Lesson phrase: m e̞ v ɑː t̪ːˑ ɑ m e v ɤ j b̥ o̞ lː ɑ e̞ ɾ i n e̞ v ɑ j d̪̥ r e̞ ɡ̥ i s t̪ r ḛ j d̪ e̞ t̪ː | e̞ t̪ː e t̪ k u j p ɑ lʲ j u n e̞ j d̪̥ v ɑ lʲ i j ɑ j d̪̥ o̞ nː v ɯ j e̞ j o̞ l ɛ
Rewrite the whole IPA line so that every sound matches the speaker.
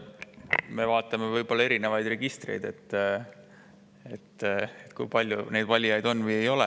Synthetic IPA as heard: m e̞ v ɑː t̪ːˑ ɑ m e v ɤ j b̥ o̞ lː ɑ e̞ ɾ i n e̞ v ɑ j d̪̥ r e̞ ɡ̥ i s t̪ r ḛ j d̪ e̞ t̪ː | e̞ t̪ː e t̪ k u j p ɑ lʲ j u n e̞ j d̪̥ v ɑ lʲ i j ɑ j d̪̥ o̞ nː v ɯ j e̞ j o̞ l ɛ